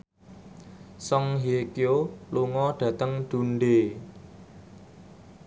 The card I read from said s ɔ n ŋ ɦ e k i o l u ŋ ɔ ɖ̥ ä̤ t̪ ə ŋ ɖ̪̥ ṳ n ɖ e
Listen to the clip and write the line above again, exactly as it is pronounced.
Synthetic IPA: s ɔ ŋ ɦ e k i o l u ŋ ɔ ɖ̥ ä̤ t̪ ə ŋ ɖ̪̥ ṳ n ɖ e

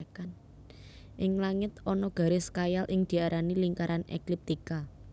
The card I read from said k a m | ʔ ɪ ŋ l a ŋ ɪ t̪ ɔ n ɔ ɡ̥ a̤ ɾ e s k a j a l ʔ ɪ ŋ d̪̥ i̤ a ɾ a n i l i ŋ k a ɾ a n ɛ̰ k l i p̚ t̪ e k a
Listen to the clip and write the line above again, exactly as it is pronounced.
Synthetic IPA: k a n | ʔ ɪ ŋ l a ŋ ɪ t̪ ɔ n ɔ ɡ̥ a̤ ɾ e s k a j a l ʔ ɪ ŋ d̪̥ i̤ a ɾ a n i l i ŋ k a ɾ a n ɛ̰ k l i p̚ t̪ i k a

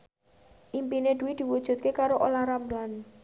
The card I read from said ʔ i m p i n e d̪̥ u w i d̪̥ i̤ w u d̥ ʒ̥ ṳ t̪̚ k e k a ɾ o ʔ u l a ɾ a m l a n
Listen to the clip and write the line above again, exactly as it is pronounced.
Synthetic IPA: ʔ i m p i n e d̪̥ u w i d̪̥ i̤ w u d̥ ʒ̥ ṳ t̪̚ k e k a ɾ o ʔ o l a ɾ a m l a n

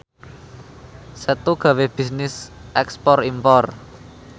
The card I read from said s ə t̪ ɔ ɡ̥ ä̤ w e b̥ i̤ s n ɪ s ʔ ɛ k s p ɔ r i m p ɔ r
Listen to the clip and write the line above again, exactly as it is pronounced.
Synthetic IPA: s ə t̪ u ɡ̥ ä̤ w e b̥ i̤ s n ɪ s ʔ ɛ k s p ɔ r i m p ɔ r

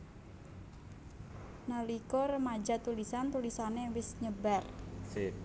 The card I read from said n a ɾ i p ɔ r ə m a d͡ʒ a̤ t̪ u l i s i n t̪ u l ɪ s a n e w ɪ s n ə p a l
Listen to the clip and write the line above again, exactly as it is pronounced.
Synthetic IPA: n a l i k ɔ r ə m a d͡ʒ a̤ t̪ u l i s a n t̪ u l i s a n e w ɪ s ɲ ə b a r

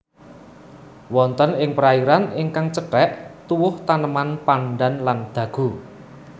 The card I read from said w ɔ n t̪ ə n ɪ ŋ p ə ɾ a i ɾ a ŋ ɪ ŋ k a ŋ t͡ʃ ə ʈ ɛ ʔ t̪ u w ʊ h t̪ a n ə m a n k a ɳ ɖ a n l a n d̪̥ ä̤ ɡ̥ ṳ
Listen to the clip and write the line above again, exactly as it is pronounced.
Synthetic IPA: w ɔ n t̪ ə n ɪ ŋ p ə ɾ a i ɾ a n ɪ ŋ k a ŋ t͡ʃ ə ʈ ɛ ʔ t̪ u w ʊ h t̪ a n ə m a n p a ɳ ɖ a n l a n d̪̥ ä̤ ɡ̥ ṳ

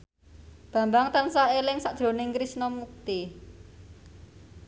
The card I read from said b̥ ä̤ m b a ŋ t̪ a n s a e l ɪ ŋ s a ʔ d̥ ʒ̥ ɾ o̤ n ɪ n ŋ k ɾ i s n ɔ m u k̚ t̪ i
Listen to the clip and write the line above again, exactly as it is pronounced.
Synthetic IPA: b̥ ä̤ m b a ŋ t̪ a n s a e l ɪ ŋ s a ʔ d̥ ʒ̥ ɾ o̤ n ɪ ŋ k ɾ i s n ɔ m u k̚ t̪ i

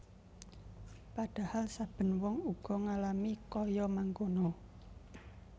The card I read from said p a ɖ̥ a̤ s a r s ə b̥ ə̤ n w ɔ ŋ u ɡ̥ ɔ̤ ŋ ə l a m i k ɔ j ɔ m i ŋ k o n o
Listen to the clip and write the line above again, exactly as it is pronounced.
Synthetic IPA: p a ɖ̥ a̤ h a l s a b̥ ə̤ n w ɔ ŋ u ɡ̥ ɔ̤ ŋ a l a m i k ɔ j ɔ m a ŋ k o n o

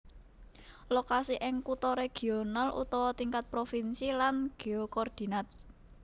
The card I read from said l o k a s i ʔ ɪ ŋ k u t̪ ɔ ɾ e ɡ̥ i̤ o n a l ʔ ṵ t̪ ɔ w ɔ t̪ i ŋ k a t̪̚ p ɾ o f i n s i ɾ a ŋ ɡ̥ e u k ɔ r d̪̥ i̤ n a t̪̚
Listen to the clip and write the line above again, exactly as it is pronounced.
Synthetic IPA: l o k a s i ʔ ɪ ŋ k u t̪ ɔ ɾ e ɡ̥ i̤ o n a l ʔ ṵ t̪ ɔ w ɔ t̪ i ŋ k a t̪̚ p ɾ o f i n s i l a n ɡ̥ e o k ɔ r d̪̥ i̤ n a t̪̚

